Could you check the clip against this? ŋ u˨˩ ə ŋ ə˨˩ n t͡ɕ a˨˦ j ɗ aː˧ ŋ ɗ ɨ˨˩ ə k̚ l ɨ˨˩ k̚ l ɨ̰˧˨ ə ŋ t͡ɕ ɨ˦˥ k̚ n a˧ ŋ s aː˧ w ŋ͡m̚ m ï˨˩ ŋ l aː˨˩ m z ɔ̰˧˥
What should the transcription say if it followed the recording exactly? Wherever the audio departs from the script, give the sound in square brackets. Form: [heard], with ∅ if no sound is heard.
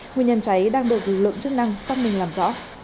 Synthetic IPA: ŋ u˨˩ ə [ɲ] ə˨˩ n t͡ɕ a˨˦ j ɗ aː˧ ŋ ɗ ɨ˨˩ ə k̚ l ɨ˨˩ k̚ l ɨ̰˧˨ ə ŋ t͡ɕ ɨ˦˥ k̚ n a˧ ŋ s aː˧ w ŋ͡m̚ m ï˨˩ ŋ l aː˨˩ m z ɔ̰˧˥